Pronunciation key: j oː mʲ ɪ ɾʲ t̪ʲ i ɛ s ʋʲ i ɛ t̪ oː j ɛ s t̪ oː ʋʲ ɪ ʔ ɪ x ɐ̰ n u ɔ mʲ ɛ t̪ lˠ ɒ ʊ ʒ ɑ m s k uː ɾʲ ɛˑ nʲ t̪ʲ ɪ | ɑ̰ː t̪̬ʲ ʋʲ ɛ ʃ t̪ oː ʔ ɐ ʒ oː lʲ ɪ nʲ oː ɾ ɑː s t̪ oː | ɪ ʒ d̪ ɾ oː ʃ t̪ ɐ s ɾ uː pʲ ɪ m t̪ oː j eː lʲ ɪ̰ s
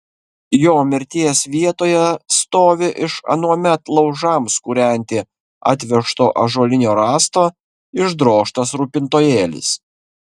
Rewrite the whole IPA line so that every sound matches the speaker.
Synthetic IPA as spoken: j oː mʲ ɪ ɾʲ t̪ʲ i ɛ s ʋʲ i ɛ t̪ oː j ɛ s t̪ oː ʋʲ ɪ ʔ ɪ ʃ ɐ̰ n u ɔ mʲ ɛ t̪ lˠ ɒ ʊ ʒ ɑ m s k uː ɾʲ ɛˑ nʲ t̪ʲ ɪ | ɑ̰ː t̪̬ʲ ʋʲ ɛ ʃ t̪ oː ʔ ɐ ʒ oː lʲ ɪ nʲ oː ɾ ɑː s t̪ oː | ɪ ʒ d̪ ɾ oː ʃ t̪ ɐ s ɾ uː pʲ ɪ n t̪ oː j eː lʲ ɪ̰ s